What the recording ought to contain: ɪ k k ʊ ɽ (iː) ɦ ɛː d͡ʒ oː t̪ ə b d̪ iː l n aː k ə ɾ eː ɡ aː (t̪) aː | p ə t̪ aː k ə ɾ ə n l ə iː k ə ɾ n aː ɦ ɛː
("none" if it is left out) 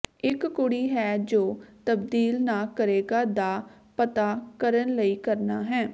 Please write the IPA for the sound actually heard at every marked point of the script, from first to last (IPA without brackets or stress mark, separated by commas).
iː, d̪